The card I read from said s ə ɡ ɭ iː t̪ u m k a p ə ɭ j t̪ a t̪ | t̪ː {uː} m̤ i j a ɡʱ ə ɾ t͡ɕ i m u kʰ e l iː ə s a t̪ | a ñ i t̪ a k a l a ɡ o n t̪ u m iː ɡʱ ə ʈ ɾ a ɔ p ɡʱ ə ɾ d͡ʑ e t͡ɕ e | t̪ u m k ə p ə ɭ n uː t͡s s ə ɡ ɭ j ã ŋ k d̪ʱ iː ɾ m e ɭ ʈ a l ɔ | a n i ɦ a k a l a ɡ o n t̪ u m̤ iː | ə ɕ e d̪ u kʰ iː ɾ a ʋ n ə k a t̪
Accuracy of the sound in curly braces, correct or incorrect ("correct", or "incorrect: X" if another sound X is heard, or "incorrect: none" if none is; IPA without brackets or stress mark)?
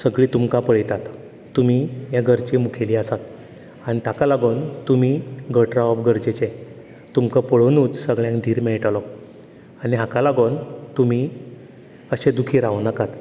incorrect: u